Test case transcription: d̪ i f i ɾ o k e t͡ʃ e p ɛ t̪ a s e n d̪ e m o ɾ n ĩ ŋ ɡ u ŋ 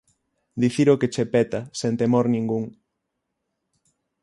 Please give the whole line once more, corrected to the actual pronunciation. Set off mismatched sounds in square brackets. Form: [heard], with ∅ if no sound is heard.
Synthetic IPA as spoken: d̪ i [θ] i ɾ o k e t͡ʃ e p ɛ t̪ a s e n [t̪] e m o ɾ n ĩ ŋ ɡ u ŋ